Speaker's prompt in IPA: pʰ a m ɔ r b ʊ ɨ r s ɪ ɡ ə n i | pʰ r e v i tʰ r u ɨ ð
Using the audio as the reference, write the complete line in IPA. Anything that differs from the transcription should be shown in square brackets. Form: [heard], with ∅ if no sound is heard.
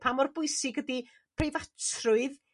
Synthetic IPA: pʰ a m ɔ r b ʊ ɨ [∅] s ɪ ɡ ə [d] i | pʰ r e v [a] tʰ r [ʊ] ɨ ð